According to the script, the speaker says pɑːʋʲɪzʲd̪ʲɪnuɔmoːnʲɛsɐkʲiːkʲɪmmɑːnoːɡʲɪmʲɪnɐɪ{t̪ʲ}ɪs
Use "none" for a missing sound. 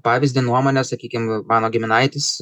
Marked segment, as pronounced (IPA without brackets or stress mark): t̪ʲ